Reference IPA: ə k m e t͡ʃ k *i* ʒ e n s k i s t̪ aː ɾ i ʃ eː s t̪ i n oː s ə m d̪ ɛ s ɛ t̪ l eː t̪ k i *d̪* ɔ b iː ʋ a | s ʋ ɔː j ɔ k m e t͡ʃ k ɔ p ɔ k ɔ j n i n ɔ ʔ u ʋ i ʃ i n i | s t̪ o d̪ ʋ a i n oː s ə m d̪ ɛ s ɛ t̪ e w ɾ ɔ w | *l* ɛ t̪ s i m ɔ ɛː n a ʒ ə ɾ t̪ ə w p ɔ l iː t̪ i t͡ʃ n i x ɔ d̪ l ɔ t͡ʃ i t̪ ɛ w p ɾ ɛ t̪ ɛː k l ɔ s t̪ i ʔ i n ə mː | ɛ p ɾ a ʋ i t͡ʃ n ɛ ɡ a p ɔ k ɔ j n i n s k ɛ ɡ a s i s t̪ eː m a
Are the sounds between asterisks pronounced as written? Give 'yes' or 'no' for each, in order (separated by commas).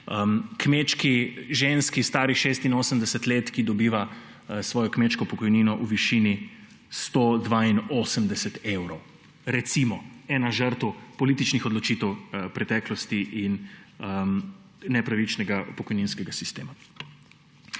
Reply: yes, yes, no